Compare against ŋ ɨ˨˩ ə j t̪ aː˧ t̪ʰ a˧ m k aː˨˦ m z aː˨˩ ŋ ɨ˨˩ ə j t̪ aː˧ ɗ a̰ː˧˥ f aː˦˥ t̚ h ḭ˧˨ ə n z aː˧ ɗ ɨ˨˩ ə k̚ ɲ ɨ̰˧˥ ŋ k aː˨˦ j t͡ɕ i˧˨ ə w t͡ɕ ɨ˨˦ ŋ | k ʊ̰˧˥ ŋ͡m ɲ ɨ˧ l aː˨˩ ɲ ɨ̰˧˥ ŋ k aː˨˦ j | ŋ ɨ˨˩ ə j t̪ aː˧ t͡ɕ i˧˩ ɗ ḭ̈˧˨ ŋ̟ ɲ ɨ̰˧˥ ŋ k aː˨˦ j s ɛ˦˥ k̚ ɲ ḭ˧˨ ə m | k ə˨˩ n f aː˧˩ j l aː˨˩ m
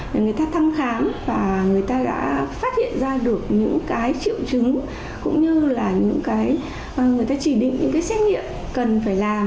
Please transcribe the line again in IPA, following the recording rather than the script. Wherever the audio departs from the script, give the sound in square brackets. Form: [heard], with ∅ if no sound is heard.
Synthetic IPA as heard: ŋ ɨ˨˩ ə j t̪ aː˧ t̪ʰ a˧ m [x] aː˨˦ m [v] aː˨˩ ŋ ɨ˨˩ ə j t̪ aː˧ ɗ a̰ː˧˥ f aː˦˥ t̚ h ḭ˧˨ ə n z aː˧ ɗ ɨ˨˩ ə k̚ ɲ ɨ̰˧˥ ŋ k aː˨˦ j t͡ɕ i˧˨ ə w t͡ɕ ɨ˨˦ ŋ | k ʊ̰˧˥ ŋ͡m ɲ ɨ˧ l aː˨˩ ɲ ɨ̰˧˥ ŋ k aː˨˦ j | ŋ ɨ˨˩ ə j t̪ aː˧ t͡ɕ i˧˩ ɗ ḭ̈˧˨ ŋ̟ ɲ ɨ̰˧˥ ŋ k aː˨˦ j s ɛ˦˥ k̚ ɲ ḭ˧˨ ə m | k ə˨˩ n f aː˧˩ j l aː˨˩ m